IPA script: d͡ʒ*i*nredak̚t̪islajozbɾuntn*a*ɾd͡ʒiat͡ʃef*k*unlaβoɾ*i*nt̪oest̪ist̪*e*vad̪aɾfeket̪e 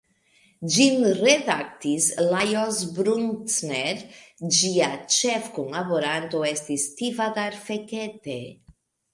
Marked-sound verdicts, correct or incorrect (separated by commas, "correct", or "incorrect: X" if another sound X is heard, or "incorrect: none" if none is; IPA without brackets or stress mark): correct, incorrect: e, correct, incorrect: a, incorrect: i